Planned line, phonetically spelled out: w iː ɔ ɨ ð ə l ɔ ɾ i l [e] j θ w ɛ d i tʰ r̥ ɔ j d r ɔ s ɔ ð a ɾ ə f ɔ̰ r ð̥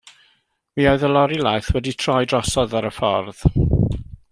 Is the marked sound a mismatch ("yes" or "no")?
yes